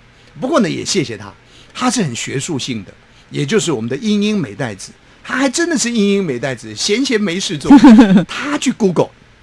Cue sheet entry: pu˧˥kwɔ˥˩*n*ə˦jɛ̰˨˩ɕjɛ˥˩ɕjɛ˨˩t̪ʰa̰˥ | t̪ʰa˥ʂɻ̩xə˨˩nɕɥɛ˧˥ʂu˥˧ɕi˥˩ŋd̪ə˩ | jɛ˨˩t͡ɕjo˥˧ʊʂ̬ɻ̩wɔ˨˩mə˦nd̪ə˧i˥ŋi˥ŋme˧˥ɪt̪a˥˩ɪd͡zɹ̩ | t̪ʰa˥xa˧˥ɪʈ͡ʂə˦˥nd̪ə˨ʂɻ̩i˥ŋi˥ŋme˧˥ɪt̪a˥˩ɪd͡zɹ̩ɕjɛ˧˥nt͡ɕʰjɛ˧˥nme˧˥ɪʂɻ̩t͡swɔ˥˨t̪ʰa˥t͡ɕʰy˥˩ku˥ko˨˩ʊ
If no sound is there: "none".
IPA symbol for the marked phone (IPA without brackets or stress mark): n